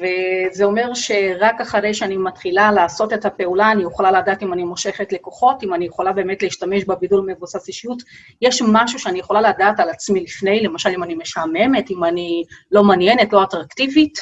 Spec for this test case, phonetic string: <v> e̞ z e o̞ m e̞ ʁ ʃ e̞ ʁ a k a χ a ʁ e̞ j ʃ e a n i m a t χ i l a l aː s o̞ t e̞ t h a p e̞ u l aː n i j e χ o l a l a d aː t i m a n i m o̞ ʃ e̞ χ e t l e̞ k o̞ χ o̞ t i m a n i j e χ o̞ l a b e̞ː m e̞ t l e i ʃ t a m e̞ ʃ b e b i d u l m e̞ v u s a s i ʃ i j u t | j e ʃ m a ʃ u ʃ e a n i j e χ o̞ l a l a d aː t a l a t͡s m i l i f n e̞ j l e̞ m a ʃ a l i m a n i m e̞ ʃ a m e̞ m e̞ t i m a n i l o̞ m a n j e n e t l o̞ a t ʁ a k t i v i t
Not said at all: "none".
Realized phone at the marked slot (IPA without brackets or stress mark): v